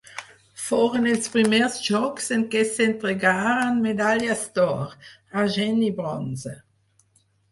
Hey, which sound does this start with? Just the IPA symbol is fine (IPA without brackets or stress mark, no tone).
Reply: f